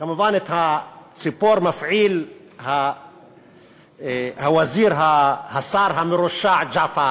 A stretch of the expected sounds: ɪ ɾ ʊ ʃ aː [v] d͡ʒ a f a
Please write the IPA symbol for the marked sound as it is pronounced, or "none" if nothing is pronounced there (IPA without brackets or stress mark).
ʕ